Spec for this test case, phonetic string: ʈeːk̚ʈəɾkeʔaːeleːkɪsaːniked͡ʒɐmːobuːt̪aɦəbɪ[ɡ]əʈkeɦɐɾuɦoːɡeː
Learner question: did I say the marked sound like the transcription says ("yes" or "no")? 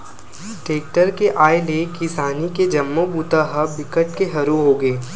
no